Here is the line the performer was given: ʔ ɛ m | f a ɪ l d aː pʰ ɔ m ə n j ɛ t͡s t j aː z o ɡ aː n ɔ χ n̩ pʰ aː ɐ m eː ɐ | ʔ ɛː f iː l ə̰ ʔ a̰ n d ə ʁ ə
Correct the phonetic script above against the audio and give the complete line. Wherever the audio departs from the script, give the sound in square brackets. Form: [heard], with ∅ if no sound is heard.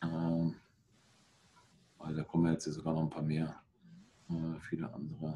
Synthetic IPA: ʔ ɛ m | [v] a ɪ l d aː [kʰ] ɔ m ə n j ɛ t͡s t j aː z o ɡ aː n ɔ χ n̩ pʰ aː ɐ m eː ɐ | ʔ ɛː f iː l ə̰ ʔ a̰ n d ə ʁ ə